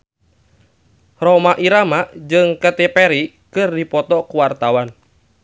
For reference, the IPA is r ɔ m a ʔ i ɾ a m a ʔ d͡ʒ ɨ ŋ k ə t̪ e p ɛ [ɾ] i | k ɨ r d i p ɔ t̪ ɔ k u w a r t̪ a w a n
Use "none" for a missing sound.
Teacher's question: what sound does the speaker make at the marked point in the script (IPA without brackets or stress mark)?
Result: ɾ